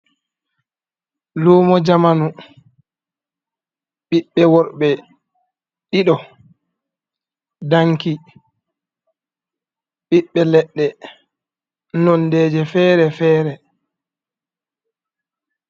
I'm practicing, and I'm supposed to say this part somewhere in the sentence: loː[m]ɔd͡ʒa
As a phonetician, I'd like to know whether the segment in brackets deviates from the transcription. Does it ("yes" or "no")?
no